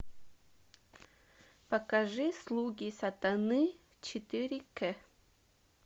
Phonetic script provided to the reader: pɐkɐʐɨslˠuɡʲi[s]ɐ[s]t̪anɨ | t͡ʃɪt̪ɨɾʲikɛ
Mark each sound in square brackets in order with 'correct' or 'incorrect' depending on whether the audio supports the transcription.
correct, incorrect: none

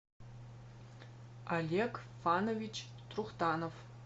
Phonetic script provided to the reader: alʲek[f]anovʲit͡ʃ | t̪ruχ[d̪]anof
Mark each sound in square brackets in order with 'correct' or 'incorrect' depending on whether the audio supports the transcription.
correct, incorrect: t̪

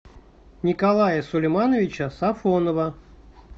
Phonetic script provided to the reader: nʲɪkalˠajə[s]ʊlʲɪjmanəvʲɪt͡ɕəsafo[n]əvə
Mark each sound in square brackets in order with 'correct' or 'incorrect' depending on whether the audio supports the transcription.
correct, correct

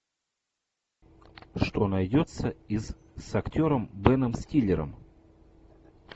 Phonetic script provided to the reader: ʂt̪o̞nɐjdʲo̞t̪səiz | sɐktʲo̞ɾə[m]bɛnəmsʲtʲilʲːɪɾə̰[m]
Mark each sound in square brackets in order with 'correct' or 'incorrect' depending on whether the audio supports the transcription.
correct, correct

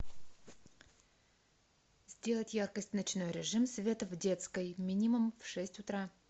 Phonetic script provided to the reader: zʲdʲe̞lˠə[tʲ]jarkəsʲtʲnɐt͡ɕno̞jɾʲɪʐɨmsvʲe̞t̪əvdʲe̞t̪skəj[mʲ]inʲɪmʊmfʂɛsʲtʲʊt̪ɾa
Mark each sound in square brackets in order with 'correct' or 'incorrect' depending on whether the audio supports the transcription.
correct, correct

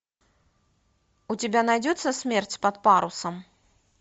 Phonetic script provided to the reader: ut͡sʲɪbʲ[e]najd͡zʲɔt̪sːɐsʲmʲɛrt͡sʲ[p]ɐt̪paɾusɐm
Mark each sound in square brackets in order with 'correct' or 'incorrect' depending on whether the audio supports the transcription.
incorrect: a, correct

